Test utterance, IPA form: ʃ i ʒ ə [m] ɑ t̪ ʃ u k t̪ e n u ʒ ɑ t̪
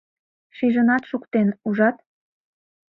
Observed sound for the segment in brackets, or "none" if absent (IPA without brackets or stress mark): n